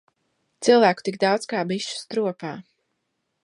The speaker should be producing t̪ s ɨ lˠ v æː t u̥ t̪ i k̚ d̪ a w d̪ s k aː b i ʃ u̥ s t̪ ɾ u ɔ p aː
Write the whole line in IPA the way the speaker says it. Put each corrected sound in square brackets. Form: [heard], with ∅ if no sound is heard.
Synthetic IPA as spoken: t̪ s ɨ lˠ v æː [k] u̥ t̪ i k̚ d̪ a w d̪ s k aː b i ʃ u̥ s t̪ ɾ u ɔ p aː